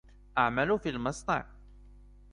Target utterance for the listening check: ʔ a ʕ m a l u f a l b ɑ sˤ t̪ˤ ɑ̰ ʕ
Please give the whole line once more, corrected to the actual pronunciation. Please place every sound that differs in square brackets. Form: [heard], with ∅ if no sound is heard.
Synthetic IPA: ʔ a ʕ m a l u f [i] l [m] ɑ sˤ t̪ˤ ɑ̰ ʕ